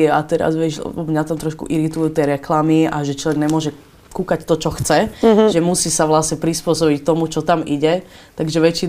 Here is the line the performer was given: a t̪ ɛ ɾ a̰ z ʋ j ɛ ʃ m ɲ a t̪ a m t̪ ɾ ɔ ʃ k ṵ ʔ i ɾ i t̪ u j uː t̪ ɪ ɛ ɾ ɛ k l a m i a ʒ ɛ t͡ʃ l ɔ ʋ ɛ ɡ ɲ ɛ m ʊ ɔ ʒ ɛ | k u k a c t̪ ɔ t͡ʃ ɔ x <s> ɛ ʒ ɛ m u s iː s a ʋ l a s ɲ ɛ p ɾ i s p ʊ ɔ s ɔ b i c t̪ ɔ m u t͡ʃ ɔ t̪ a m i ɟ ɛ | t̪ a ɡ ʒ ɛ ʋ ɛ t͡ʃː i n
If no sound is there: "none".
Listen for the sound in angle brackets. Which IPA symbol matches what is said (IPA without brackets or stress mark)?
t͡s